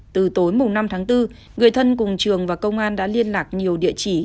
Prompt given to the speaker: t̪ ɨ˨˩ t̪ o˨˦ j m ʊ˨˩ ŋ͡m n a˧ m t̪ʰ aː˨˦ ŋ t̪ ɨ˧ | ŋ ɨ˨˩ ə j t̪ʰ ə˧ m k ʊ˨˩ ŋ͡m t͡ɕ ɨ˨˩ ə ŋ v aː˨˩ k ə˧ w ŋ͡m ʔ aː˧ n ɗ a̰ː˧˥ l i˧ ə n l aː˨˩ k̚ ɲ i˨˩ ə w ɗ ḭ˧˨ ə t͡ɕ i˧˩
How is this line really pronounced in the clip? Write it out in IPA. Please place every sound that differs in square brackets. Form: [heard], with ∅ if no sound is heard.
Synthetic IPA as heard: t̪ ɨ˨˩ t̪ o˨˦ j m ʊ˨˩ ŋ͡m n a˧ m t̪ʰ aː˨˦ ŋ t̪ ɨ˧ | ŋ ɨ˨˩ ə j t̪ʰ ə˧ [n] k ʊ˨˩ ŋ͡m t͡ɕ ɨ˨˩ ə ŋ v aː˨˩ k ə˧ w ŋ͡m ʔ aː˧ n ɗ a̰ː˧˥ l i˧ ə n l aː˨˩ k̚ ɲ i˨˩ ə w ɗ ḭ˧˨ ə t͡ɕ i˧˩